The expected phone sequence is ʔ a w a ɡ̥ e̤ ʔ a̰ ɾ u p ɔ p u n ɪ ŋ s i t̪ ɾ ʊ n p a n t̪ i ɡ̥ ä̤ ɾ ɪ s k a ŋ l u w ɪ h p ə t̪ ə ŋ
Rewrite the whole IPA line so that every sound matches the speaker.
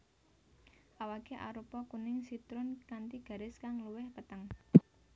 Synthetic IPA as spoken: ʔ a w a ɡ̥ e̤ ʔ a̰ ɾ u p ɔ k u n ɪ ŋ s i t̪ ɾ ʊ n k a n t̪ i ɡ̥ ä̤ ɾ ɪ s k a ŋ l u w ɪ h p ə t̪ ə ŋ